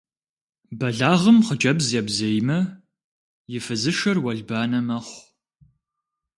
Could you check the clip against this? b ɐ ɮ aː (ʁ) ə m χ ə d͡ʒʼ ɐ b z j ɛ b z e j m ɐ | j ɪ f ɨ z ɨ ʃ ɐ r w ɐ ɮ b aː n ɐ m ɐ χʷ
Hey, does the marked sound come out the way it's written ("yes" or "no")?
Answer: yes